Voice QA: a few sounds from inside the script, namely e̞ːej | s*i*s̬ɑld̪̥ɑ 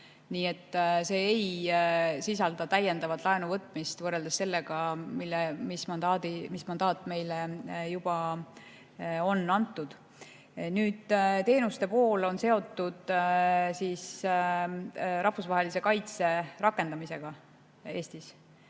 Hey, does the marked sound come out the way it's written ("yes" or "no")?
yes